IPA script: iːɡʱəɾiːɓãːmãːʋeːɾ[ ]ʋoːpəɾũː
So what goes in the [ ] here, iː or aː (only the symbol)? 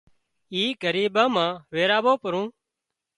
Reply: aː